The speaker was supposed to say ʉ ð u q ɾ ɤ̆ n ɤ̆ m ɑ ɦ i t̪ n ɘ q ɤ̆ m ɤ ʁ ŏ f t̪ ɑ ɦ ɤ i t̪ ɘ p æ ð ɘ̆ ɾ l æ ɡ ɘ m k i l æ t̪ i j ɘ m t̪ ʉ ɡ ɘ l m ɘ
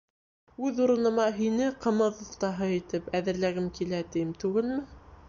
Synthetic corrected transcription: ʉ ð u ɾ ɤ̆ n ɤ̆ m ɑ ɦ i n ɘ q ɤ̆ m ɤ ð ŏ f t̪ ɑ ɦ ɤ i t̪ ɘ p æ ð ɘ̆ ɾ l æ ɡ ɘ m k i l æ t̪ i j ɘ m t̪ ʉ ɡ ɘ l m ɘ